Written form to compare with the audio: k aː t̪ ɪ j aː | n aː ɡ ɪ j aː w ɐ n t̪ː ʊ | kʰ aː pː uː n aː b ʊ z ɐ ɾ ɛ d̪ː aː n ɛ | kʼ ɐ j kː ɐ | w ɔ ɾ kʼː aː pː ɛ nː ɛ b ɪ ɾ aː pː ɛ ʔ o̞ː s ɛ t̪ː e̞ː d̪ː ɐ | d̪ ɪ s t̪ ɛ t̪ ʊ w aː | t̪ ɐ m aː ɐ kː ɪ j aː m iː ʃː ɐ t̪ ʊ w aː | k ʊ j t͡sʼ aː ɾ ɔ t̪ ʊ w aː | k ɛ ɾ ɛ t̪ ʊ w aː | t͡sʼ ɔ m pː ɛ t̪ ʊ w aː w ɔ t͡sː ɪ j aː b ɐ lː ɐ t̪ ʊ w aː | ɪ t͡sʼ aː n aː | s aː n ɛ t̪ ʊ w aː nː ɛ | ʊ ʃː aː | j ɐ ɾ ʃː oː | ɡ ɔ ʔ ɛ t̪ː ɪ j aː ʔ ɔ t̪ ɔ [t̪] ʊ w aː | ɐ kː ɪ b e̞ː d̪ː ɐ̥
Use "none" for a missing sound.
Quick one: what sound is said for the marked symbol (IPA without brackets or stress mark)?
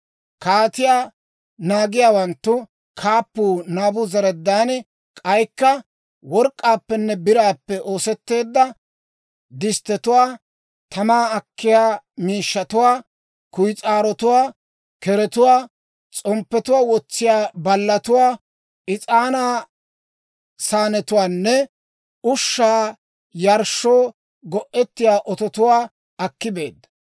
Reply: t̪